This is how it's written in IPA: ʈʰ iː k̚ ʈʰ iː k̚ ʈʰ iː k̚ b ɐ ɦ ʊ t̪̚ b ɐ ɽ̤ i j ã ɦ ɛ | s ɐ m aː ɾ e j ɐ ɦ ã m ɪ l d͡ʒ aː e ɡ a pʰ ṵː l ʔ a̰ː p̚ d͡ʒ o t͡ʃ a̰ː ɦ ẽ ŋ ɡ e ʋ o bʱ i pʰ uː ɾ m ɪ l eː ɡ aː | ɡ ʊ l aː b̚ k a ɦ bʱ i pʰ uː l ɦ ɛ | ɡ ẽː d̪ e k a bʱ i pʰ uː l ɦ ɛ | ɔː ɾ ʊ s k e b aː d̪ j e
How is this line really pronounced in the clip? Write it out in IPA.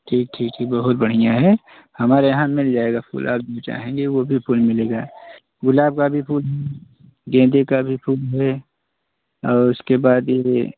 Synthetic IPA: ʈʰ iː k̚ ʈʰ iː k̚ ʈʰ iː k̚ b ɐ ɦ ʊ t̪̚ b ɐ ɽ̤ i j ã ɦ ɛ | h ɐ m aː ɾ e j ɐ ɦ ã m ɪ l d͡ʒ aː e ɡ a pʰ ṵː l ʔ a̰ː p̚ d͡ʒ o t͡ʃ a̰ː ɦ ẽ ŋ ɡ e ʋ o bʱ i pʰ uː l m ɪ l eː ɡ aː | ɡ ʊ l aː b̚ k a bʱ i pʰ uː l ɦ ɛ | ɡ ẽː d̪ e k a bʱ i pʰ uː l ɦ ɛ | ɔː ɾ ʊ s k e b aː d̪ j e